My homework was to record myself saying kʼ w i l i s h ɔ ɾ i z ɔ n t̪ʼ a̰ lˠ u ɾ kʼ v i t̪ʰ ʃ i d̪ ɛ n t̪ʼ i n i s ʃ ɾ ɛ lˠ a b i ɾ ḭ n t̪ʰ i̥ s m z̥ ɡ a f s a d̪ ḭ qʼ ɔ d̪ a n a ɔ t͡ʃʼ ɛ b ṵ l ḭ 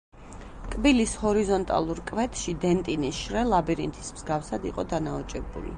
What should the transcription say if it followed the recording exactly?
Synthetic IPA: kʼ b i l i s h ɔ ɾ i z ɔ n t̪ʼ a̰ lˠ u ɾ kʼ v ɛ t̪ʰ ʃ i d̪ ɛ n t̪ʼ i n i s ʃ ɾ ɛ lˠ a b i ɾ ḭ n t̪ʰ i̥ s m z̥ ɡ a f s a d̪ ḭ qʼ ɔ d̪ a n a ɔ t͡ʃʼ ɛ b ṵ l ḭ

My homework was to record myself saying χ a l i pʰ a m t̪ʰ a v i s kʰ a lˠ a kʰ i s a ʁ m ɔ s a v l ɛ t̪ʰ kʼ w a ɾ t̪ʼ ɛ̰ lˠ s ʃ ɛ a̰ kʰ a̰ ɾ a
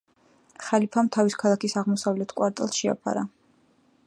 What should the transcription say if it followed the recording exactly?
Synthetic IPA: χ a l i pʰ a m t̪ʰ a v i s kʰ a lˠ a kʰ i s a ʁ m ɔ s a v l ɛ t̪ʰ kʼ w a ɾ t̪ʼ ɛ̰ lˠ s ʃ ɛ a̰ pʰ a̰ ɾ a

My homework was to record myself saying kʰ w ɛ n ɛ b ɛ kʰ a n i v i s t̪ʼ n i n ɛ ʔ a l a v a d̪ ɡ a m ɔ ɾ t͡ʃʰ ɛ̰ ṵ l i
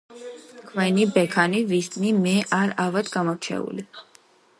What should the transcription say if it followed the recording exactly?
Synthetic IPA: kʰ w ɛ n i b ɛ kʰ a n i v i s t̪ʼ n i m ɛ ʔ a ɾ a v a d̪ ɡ a m ɔ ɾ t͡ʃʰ ɛ̰ ṵ l i

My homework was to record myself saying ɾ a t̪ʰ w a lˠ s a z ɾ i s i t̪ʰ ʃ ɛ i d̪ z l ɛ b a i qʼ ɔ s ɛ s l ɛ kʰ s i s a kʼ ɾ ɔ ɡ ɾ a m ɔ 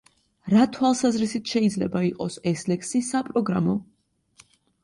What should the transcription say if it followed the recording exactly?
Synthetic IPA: ɾ a t̪ʰ w a lˠ s a z ɾ i s i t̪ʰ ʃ ɛ i d̪ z l ɛ b a i qʼ ɔ s ɛ s l ɛ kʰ s i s a pʼ ɾ ɔ ɡ ɾ a m ɔ

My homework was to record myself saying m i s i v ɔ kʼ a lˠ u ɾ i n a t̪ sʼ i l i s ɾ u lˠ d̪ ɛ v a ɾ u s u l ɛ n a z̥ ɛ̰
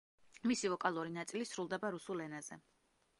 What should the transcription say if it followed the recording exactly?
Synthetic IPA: m i s i v ɔ kʼ a lˠ u ɾ i n a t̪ sʼ i l i s ɾ u lˠ d̪ ɛ b a ɾ u s u l ɛ n a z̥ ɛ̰

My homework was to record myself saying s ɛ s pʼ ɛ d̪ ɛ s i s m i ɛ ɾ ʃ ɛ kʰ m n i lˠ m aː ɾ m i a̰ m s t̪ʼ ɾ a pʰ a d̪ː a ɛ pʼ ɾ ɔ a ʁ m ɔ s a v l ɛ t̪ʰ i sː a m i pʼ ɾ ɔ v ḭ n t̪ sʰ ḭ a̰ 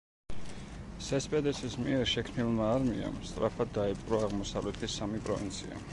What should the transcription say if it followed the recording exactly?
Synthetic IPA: s ɛ s pʼ ɛ d̪ ɛ s i s m i ɛ ɾ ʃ ɛ kʰ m n i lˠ m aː ɾ m i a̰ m s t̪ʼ ɾ a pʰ a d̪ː a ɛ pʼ ɾ ɔ a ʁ m ɔ s a v l ɛ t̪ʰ i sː a m i pʼ ɾ ɔ v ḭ n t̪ sʰ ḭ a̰

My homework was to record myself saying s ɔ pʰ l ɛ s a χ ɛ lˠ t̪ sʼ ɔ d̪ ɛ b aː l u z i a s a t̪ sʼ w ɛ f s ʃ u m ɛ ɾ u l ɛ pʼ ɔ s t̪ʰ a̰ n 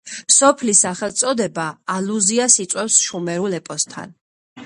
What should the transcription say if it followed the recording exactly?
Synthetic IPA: s ɔ pʰ l i s a χ ɛ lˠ t̪ sʼ ɔ d̪ ɛ b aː l u z i a s i t̪ sʼ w ɛ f s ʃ u m ɛ ɾ u l ɛ pʼ ɔ s t̪ʰ a̰ n

